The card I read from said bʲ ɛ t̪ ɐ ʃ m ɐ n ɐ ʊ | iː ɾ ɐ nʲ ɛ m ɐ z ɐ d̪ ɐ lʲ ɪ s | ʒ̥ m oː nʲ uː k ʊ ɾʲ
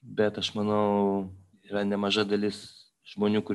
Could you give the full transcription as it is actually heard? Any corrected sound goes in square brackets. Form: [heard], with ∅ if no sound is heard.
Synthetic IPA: bʲ ɛ t̪ ɐ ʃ m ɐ n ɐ ʊ | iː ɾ ɐ nʲ ɛ m ɐ [ʒ] ɐ d̪ ɐ lʲ ɪ s | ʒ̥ m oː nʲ uː k ʊ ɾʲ